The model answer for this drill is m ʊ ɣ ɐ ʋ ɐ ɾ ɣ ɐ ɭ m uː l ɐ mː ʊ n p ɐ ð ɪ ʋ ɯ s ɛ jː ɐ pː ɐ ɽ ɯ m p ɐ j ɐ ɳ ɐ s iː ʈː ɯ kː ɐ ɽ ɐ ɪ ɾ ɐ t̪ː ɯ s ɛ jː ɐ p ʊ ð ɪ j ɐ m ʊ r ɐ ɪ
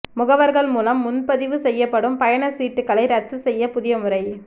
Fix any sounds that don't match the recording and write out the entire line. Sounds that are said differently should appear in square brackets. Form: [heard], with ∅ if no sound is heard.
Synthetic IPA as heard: m ʊ ɣ ɐ ʋ ɐ ɾ ɣ ɐ ɭ m uː l ɐ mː ʊ n p ɐ ð ɪ ʋ ɯ s ɛ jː ɐ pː ɐ ɽ ɯ m p ɐ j ɐ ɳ ɐ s iː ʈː ɯ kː ɐ [ɭ] ɐ ɪ ɾ ɐ t̪ː ɯ s ɛ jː ɐ p ʊ ð ɪ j ɐ m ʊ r ɐ ɪ